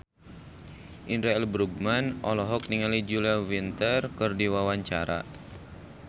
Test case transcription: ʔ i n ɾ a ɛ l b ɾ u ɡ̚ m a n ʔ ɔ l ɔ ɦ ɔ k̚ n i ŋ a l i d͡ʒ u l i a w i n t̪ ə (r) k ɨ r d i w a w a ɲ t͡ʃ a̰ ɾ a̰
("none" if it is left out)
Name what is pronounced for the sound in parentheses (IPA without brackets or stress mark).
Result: r